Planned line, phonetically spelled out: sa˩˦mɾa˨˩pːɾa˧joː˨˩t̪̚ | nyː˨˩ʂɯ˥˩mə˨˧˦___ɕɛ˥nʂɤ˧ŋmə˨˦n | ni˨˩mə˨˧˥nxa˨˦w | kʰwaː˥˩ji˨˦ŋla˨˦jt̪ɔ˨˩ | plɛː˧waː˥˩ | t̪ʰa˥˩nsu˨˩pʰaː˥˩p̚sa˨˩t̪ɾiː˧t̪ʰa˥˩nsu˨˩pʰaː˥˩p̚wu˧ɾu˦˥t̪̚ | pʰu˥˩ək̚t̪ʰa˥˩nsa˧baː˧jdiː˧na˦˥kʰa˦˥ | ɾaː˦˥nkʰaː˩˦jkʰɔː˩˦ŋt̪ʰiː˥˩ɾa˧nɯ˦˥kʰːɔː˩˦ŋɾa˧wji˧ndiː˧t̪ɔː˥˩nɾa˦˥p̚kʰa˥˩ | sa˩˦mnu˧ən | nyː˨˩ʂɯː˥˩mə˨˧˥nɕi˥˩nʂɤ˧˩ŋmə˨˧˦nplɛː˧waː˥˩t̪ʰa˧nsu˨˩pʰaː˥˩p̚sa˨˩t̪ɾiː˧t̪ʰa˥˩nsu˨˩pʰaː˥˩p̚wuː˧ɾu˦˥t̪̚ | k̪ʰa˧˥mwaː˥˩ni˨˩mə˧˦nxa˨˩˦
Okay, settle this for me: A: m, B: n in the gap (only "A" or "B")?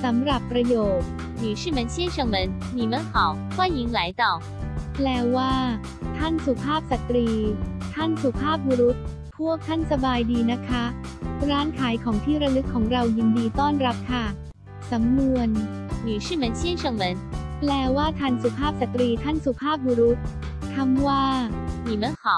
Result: B